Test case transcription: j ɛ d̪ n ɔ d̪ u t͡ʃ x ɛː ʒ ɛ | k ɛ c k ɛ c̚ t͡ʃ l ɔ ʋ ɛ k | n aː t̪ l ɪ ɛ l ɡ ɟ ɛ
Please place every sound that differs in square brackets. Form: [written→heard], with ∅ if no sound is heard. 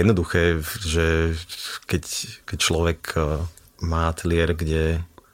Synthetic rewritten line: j ɛ d̪ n ɔ d̪ u [t͡ʃ→∅] x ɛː ʒ ɛ | k ɛ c k ɛ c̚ t͡ʃ l ɔ ʋ ɛ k | [n→m] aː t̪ l ɪ ɛ [l→ɾ] ɡ ɟ ɛ